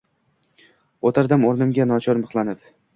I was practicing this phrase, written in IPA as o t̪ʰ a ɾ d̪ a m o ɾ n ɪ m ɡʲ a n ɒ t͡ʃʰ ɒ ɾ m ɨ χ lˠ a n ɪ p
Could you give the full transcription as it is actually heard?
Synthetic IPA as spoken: o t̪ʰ a ɾ d̪ a m o ɾ n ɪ m ɡʲ a n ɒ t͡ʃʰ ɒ ɾ m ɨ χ lˠ a n ɪ p